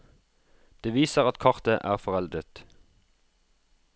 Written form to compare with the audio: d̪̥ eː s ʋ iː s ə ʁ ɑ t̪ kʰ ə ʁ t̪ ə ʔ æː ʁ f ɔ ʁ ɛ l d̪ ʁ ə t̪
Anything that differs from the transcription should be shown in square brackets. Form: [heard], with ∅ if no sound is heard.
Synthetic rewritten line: d̪̥ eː [∅] ʋ iː s ə ʁ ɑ t̪ kʰ [ɑ] ʁ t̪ ə ʔ æː ʁ f ɔ ʁ ɛ l d̪ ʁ ə t̪

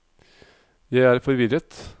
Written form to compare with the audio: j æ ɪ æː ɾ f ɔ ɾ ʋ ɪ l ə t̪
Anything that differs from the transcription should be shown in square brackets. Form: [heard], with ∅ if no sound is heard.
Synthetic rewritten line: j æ ɪ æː ɾ f ɔ ɾ ʋ ɪ [ɾ] ə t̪

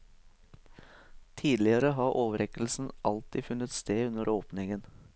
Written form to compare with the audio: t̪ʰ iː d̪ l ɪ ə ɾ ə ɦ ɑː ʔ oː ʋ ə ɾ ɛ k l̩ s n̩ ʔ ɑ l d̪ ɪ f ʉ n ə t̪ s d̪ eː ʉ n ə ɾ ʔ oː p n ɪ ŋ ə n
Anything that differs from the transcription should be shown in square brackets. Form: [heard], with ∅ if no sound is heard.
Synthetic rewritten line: t̪ʰ iː d̪ l ɪ ə ɾ ə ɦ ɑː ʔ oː ʋ ə ɾ ɛ k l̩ s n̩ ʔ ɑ l [t̪] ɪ f ʉ n ə t̪ s [t̪] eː ʉ n ə ɾ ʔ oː p n ɪ ŋ ə n

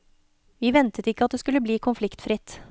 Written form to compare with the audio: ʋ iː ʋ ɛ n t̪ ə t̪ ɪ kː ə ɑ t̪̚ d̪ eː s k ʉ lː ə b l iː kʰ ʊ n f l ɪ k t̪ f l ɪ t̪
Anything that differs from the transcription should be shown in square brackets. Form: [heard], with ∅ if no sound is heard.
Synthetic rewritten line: ʋ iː ʋ ɛ n t̪ ə t̪ ɪ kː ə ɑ t̪̚ d̪ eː s k ʉ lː ə b l iː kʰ ʊ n f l ɪ k t̪ f [ɾ] ɪ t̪

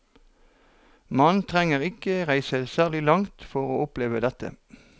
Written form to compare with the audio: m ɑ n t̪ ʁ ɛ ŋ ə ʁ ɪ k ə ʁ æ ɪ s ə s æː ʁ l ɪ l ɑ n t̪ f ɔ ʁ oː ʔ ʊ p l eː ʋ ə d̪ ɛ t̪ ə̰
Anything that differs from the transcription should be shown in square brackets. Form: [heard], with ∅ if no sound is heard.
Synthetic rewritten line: m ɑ n [t̪ʰ] ʁ ɛ ŋ ə ʁ ɪ k ə ʁ æ ɪ s ə s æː ʁ l ɪ l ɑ [ŋ] t̪ f ɔ ʁ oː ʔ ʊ p l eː ʋ ə d̪ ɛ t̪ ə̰

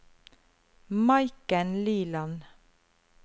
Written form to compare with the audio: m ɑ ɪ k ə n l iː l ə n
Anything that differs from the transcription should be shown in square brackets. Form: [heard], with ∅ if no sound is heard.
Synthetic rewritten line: m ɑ ɪ k ə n l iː l [ɑ] n

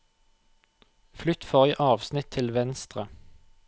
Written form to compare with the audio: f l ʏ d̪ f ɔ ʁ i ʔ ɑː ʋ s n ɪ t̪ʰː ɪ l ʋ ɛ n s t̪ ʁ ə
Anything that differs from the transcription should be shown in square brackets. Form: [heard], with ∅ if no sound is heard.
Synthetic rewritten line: f l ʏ [t̪] f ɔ ʁ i ʔ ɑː ʋ s n ɪ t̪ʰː ɪ l ʋ ɛ n s t̪ ʁ ə

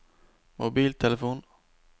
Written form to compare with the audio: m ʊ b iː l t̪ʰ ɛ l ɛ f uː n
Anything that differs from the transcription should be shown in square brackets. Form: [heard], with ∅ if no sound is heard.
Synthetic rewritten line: m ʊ b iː l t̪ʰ ɛ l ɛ f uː n

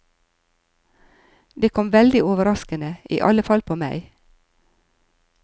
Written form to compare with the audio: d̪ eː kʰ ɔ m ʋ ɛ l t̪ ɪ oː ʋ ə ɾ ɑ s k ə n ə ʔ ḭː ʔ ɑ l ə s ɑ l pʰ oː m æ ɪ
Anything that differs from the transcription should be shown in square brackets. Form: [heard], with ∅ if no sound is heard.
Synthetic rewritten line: d̪ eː kʰ ɔ m ʋ ɛ l [d̪] ɪ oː ʋ ə ɾ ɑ s k ə n ə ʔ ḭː ʔ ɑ l ə [f] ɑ l pʰ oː m æ ɪ

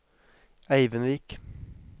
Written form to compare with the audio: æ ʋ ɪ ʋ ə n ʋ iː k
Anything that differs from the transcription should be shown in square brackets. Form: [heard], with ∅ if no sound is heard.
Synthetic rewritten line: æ [∅] ɪ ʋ ə n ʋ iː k

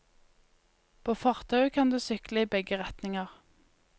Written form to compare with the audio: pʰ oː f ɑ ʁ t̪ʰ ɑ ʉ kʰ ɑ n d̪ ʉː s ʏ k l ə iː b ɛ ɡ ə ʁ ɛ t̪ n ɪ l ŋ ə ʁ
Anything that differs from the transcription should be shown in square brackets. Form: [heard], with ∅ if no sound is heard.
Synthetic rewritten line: pʰ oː f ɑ ʁ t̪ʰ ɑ ʉ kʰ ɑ n d̪ ʉː s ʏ k l ə iː b ɛ ɡ ə ʁ ɛ t̪ n ɪ [∅] ŋ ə ʁ

